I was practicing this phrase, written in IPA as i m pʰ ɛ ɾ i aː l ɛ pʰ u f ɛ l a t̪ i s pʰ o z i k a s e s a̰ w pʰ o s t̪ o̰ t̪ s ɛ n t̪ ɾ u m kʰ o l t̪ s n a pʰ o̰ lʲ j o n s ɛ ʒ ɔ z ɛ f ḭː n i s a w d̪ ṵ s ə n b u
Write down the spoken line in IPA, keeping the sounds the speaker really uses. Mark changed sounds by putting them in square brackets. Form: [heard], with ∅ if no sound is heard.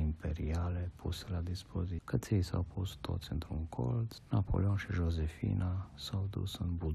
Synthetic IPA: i m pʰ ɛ ɾ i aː l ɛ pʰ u [s] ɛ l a [d̪] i s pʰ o z i k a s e s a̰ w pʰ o s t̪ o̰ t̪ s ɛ n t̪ ɾ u m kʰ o l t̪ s n a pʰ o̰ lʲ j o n [ʃ] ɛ ʒ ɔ z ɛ f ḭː n [a] s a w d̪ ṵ s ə n b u